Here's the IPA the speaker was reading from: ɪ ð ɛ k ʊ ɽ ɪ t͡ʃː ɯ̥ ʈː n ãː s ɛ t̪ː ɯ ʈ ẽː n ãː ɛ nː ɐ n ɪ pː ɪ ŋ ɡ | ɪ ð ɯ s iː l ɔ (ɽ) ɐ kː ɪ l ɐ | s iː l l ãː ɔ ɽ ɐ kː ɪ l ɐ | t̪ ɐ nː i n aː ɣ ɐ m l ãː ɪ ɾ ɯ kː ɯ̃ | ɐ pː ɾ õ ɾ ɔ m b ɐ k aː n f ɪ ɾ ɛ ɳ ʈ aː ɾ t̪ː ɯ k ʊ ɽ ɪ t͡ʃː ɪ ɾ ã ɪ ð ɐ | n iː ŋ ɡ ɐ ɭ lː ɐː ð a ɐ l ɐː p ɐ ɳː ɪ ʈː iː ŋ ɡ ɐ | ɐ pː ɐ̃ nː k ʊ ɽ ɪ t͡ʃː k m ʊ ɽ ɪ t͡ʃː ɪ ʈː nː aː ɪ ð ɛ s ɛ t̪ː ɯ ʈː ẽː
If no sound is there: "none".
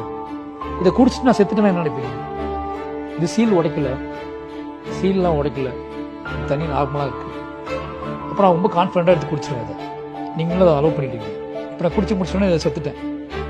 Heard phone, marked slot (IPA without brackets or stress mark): ɽ